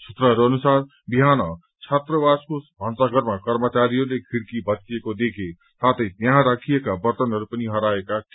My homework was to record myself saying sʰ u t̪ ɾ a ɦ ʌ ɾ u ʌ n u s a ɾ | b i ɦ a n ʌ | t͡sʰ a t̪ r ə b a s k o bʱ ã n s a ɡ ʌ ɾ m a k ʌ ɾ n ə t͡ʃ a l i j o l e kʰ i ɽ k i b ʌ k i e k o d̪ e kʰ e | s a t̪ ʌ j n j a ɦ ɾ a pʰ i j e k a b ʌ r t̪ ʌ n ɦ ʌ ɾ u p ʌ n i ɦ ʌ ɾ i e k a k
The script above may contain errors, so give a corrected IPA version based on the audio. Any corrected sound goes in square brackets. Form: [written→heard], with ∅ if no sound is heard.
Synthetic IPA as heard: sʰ u t̪ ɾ [a→ʌ] ɦ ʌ ɾ u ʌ n u s a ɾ | b i ɦ a n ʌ | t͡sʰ a t̪ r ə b a s k o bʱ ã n s a ɡ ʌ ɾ m a k ʌ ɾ [n→m] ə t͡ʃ a [l→ɾ] i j o l e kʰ i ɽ k i b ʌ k i e k o d̪ e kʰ e | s a t̪ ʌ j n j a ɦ ɾ a [pʰ→kʰ] i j e k a b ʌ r t̪ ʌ n ɦ ʌ ɾ u p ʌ n i ɦ ʌ ɾ [i→a] e k a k

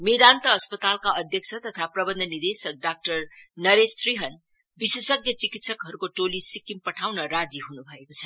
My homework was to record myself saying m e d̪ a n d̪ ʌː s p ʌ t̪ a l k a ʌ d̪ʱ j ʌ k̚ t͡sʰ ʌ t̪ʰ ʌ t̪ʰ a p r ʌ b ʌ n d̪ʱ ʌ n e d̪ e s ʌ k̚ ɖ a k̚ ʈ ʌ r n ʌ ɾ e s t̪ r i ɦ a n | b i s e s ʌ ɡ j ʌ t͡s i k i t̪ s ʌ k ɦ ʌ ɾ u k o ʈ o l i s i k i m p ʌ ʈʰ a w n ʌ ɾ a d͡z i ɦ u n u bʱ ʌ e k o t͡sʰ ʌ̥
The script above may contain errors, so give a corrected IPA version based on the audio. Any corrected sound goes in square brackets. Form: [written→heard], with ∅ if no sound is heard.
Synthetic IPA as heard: m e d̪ a n [d̪→t̪] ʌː s p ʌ t̪ a l k a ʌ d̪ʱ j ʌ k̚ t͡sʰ ʌ [t̪ʰ→t̪] ʌ t̪ʰ a p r ʌ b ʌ n d̪ʱ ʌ n [e→i] d̪ e s ʌ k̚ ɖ a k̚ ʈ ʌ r n ʌ ɾ e s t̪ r i ɦ [a→ʌ] n | b i s e s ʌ ɡ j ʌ t͡s i k i t̪ s ʌ k ɦ ʌ ɾ u k o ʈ o l i s i k i m p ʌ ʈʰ a w n ʌ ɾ a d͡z i ɦ u n u bʱ ʌ e k o t͡sʰ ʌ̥

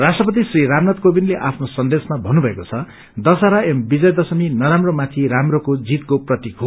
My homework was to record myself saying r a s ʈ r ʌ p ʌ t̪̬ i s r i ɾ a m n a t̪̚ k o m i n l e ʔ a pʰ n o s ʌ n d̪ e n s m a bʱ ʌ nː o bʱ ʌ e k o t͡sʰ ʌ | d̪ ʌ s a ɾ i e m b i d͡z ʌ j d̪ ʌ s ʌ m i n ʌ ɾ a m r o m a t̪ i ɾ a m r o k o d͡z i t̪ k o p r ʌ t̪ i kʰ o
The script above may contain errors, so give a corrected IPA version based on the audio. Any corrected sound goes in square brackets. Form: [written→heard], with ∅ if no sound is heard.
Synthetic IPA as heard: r a s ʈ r ʌ p ʌ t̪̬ i s r i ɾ a m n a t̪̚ k o [m→b] i n l e ʔ a pʰ n o s ʌ n d̪ e [n→∅] s m a bʱ ʌ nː [o→u] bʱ ʌ e k o t͡sʰ ʌ | d̪ ʌ s a ɾ [i→a] e m b i d͡z ʌ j d̪ ʌ s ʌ m i n ʌ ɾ a m r o m a [t̪→t̪ʰ] i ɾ a m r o k o d͡z i t̪ k o p r ʌ t̪ i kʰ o

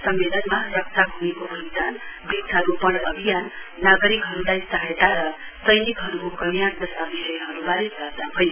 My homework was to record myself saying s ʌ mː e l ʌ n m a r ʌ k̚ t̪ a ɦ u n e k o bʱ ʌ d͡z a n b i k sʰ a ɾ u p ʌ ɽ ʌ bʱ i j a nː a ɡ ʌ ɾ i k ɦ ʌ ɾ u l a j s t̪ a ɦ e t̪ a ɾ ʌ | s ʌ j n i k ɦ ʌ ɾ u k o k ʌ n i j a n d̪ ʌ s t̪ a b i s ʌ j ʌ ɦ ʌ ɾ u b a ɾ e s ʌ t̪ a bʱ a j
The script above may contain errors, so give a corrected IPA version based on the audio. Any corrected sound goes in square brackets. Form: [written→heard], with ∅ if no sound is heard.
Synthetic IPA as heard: s ʌ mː e l ʌ n m a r ʌ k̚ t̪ a ɦ u n e k o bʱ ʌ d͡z a n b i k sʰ a ɾ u p ʌ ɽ ʌ bʱ i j a nː a ɡ ʌ ɾ i k ɦ ʌ ɾ u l a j s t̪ a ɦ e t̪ a ɾ ʌ | s ʌ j n i k ɦ ʌ ɾ u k o k ʌ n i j a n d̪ ʌ s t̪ a b i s ʌ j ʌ ɦ ʌ ɾ u b a ɾ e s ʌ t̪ a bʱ [a→ʌ] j

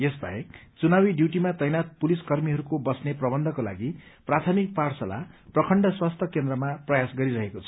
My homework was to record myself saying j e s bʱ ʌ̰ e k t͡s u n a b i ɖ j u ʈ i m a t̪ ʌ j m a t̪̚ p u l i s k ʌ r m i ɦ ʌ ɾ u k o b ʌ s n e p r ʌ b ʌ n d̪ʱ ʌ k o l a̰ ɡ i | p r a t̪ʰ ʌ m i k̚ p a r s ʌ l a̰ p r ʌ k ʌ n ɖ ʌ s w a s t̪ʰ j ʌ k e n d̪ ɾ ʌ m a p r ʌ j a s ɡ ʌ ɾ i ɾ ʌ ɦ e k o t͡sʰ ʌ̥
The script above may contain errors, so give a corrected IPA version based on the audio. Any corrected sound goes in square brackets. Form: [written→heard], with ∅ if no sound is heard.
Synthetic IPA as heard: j e s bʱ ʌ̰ e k t͡s u n a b i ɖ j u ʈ i m a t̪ ʌ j [m→n] a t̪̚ p u l i s k ʌ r m i ɦ ʌ ɾ u k o b ʌ s n e p r ʌ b ʌ n d̪ʱ ʌ k o l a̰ ɡ i | p r a t̪ʰ ʌ m i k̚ p a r s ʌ l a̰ p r ʌ [k→kʰ] ʌ [n→ɳ] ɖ ʌ s w a s t̪ʰ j ʌ k e n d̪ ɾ ʌ m a p r ʌ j a s ɡ ʌ ɾ i ɾ ʌ ɦ e k o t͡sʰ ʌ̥

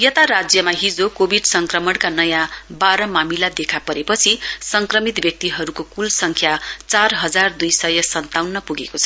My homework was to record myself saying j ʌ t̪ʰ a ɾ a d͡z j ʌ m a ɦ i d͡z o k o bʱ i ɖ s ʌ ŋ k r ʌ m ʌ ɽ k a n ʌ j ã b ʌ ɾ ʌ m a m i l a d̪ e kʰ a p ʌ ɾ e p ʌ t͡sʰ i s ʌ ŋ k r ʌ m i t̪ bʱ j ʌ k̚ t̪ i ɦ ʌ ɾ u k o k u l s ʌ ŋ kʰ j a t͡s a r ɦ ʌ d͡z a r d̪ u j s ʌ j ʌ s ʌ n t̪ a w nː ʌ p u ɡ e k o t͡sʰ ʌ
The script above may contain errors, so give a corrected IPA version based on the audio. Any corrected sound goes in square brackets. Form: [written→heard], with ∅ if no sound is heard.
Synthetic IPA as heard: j ʌ [t̪ʰ→t̪] a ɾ a d͡z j ʌ m a ɦ i d͡z o k o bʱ i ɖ s ʌ ŋ k r ʌ m ʌ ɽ k a n ʌ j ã b [ʌ→a] ɾ ʌ m a m i l a d̪ e kʰ a p ʌ ɾ e p ʌ t͡sʰ i s ʌ ŋ k r ʌ m i t̪ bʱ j ʌ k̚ t̪ i ɦ ʌ ɾ u k o k u l s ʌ ŋ kʰ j a t͡s a r ɦ ʌ d͡z a r d̪ u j s ʌ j ʌ s ʌ n t̪ a w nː ʌ p u ɡ e k o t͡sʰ ʌ

